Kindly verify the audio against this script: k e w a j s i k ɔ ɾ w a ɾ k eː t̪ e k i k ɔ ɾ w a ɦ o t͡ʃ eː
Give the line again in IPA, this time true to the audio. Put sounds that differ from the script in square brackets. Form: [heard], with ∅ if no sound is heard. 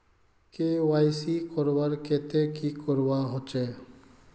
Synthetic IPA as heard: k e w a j s i k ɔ ɾ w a ɾ k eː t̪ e k i k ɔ ɾ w a ɦ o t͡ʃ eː